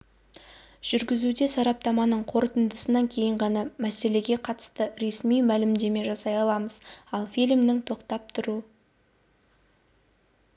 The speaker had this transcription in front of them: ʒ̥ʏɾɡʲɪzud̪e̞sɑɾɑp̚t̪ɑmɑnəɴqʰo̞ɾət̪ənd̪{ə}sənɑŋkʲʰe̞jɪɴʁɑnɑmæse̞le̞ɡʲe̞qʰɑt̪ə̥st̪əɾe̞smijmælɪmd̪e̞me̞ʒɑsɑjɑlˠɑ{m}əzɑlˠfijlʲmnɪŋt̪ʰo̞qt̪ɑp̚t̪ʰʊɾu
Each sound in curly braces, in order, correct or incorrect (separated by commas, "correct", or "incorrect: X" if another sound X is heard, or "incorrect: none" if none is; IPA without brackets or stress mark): correct, correct